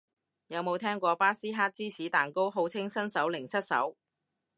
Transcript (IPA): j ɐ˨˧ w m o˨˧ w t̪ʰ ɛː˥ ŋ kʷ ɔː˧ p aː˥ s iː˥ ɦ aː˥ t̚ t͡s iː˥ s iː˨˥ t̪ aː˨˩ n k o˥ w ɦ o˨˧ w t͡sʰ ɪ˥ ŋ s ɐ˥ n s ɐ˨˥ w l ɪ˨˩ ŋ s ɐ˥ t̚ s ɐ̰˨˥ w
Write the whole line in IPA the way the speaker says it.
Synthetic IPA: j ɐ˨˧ w m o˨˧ w t̪ʰ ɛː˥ ŋ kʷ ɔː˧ p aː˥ s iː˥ ɦ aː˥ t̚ t͡s iː˥ s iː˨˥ t̪ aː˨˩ n k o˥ w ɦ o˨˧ w t͡sʰ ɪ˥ ŋ s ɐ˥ n s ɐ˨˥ w l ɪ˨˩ ŋ s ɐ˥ t̚ s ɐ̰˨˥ w